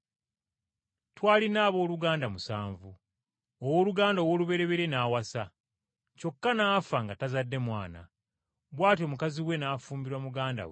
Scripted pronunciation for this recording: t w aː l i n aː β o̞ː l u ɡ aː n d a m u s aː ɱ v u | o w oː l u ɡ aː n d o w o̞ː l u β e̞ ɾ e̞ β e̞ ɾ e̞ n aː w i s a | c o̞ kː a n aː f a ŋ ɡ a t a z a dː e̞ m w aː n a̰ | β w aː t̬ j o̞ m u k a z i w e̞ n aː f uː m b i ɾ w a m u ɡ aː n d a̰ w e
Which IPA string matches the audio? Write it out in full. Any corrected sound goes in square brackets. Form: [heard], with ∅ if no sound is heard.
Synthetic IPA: t w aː l i n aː β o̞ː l u ɡ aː n d a m u s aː ɱ v u | o w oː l u ɡ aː n d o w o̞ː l u β e̞ ɾ e̞ β e̞ ɾ e̞ n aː w [a] s a | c o̞ kː a n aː f a ŋ ɡ a t a z a dː e̞ m w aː n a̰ | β w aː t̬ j o̞ m u k a z i w e̞ n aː f uː m b i ɾ w a m u ɡ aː n d a̰ w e